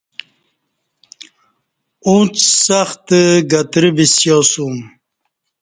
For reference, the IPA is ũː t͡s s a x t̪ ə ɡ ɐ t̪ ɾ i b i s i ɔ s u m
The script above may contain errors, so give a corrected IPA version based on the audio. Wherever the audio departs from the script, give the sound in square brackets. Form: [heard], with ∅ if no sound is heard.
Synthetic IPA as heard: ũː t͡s s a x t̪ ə ɡ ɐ t̪ ɾ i b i s [j] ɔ s u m